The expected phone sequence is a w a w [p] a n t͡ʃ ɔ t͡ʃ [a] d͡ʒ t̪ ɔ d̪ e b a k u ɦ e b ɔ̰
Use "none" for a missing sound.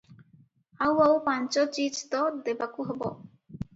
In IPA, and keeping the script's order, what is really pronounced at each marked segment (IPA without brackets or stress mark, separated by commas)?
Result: p, i